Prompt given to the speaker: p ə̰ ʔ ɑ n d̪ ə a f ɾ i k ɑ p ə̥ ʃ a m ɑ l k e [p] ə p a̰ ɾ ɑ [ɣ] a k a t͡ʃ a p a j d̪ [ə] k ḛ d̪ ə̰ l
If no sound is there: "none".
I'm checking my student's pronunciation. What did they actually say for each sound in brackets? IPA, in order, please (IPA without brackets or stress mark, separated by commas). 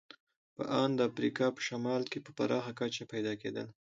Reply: p, x, ɑ